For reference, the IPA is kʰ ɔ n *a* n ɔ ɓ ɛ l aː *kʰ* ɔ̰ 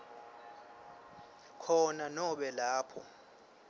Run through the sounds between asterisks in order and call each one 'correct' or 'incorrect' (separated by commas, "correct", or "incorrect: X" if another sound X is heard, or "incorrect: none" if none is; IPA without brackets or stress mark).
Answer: correct, incorrect: pʰ